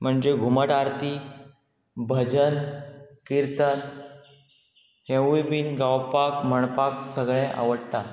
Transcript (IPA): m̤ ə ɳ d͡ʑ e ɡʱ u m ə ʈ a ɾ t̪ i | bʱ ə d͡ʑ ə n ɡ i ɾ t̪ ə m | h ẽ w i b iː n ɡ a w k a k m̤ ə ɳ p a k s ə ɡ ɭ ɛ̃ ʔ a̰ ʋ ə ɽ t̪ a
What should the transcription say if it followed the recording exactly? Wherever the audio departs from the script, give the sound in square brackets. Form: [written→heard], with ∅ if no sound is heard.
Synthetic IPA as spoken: m̤ ə ɳ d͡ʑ e ɡʱ u m ə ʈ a ɾ t̪ i | bʱ ə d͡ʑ ə n [ɡ→k] i ɾ t̪ ə [m→n] | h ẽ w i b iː n ɡ a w [k→p] a k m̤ ə ɳ p a k s ə ɡ ɭ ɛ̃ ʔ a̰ ʋ ə ɽ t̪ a